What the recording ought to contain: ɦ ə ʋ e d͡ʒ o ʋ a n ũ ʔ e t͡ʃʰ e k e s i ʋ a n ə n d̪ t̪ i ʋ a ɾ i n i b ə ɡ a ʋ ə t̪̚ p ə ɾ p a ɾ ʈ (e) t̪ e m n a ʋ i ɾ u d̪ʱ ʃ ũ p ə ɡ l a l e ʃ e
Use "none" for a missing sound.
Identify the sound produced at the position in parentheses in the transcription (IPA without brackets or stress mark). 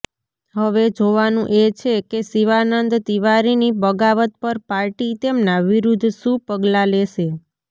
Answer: i